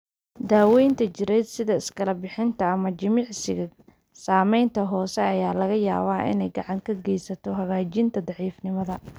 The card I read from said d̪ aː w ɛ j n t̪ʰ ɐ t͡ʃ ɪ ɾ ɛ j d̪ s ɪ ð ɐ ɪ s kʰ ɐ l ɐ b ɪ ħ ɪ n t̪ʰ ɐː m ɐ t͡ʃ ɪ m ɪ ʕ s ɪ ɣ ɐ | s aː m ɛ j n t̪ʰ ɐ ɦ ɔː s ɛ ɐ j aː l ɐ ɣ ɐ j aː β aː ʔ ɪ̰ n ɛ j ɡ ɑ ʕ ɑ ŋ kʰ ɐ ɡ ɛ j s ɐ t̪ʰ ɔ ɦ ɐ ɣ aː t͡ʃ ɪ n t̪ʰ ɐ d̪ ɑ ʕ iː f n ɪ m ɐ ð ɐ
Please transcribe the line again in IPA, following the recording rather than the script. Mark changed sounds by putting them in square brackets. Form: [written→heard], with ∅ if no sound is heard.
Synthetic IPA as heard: d̪ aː w ɛ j n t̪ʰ ɐ t͡ʃ ɪ ɾ ɛ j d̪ s ɪ ð ɐ ɪ s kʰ ɐ l ɐ b ɪ ħ ɪ n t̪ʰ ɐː m ɐ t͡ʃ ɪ m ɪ ʕ s ɪ ɣ ɐ | s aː m ɛ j n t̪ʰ ɐ ɦ ɔː s ɛ ɐ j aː l ɐ ɣ ɐ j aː β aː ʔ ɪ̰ n ɛ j ɡ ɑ ʕ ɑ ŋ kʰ ɐ ɡ ɛ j s ɐ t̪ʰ ɔ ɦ ɐ ɣ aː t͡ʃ ɪ n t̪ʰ ɐ d̪ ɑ ʕ iː f n ɪ m ɐ ð ɐ